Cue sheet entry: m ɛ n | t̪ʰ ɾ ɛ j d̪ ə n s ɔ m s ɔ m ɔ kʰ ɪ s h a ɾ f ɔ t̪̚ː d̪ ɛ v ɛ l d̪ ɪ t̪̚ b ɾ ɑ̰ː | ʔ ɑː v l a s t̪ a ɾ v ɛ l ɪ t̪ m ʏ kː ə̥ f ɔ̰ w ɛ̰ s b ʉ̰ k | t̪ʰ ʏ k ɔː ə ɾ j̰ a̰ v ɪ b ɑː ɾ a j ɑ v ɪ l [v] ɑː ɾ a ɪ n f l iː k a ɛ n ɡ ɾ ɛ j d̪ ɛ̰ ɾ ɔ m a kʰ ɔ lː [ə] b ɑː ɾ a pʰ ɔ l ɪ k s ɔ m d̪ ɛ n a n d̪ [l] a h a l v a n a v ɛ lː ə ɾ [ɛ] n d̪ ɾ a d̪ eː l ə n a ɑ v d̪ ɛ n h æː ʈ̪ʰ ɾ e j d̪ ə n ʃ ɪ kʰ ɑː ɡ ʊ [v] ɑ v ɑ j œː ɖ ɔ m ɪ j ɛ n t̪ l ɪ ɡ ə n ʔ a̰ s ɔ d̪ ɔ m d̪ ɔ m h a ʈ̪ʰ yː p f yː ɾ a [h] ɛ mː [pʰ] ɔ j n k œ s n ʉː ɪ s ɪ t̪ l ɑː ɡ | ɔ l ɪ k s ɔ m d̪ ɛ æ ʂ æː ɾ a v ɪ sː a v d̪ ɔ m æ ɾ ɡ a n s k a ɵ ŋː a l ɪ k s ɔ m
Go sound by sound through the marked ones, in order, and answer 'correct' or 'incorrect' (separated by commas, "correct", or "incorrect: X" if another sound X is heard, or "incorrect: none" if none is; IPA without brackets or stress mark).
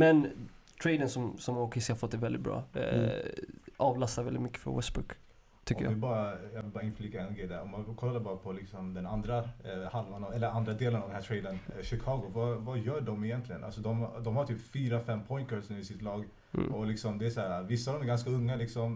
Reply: incorrect: b, incorrect: a, incorrect: ɾ, incorrect: a, correct, incorrect: f, correct